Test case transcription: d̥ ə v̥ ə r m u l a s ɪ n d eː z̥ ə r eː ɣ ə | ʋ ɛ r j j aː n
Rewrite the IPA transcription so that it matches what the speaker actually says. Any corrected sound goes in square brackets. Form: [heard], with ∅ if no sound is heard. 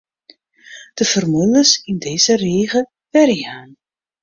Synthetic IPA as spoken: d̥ ə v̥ ə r m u l [ə] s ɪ n d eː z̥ ə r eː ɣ ə | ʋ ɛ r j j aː n